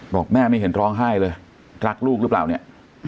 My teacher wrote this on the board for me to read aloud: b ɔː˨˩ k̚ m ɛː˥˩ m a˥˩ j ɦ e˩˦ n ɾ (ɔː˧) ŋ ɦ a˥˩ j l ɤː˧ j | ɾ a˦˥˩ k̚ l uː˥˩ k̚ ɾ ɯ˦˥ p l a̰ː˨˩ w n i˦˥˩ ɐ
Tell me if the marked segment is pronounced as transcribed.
no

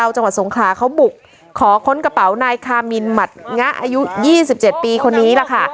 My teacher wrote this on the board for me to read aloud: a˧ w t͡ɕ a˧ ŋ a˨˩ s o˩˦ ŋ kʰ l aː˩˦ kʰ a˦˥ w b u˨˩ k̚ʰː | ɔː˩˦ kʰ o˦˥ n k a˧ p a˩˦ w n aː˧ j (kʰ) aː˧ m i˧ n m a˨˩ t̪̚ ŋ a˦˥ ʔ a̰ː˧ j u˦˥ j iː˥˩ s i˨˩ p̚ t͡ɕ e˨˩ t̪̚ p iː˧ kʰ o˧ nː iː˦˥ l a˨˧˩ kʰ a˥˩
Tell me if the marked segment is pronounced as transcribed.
yes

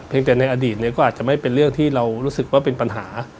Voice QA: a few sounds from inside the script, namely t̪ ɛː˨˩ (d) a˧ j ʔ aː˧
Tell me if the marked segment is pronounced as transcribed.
no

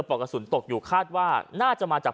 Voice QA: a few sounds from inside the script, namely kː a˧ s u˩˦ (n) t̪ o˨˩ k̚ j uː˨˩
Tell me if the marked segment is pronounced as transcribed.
yes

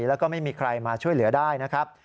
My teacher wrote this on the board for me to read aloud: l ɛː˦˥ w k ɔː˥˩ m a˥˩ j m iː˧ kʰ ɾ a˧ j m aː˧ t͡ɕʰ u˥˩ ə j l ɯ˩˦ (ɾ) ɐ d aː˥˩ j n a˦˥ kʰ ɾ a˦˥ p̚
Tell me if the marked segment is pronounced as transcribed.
no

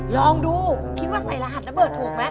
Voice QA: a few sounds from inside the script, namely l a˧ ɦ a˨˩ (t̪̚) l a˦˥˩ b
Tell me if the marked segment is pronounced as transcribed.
yes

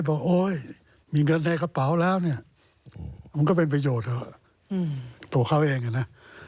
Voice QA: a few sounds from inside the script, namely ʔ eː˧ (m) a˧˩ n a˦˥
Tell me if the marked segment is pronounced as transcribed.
no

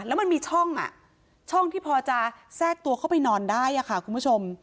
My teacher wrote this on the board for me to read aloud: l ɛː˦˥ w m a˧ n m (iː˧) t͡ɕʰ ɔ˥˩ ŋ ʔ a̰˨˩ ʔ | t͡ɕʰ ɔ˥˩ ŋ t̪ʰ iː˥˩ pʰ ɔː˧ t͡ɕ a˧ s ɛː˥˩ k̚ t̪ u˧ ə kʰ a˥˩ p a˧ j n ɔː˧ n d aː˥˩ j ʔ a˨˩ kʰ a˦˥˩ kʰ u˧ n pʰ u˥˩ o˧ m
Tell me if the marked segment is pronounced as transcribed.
yes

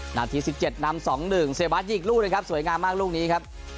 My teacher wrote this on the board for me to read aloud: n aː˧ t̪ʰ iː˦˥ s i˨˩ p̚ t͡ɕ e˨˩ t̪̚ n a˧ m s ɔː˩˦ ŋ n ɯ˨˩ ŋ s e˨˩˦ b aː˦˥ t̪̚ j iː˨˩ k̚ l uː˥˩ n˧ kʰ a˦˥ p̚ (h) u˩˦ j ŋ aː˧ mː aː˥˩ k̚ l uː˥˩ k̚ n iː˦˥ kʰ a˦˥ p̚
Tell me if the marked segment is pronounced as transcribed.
no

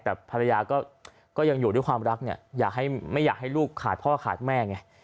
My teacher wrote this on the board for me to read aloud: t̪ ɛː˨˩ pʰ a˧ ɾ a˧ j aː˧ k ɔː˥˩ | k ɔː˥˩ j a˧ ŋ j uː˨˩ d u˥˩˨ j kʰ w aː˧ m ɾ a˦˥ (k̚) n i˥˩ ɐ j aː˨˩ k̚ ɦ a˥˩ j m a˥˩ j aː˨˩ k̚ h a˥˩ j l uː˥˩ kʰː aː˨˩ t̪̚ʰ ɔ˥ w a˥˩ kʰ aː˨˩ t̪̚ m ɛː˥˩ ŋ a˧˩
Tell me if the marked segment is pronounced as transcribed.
yes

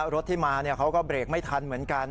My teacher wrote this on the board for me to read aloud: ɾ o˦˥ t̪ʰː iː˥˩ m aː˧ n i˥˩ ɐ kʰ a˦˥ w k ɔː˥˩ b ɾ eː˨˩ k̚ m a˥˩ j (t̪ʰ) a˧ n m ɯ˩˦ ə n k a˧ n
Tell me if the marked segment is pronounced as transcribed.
yes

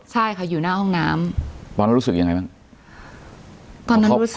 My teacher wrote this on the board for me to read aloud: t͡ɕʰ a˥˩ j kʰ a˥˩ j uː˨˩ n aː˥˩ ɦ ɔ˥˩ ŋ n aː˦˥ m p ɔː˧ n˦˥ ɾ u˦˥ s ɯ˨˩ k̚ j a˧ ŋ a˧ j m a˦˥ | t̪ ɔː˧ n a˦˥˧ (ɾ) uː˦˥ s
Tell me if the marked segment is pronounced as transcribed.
yes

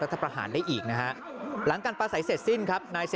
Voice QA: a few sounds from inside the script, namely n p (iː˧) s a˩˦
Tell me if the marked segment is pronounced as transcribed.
no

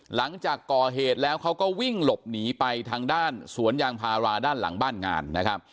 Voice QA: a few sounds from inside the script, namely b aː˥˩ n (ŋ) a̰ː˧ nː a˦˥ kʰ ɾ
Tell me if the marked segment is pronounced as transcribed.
yes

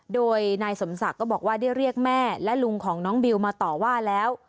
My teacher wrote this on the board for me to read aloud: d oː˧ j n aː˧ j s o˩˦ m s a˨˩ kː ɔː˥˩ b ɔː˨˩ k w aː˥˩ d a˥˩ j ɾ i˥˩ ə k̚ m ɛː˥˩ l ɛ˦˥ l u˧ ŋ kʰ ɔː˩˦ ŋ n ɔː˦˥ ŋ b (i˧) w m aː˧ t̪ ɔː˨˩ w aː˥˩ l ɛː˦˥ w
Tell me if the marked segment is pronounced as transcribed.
yes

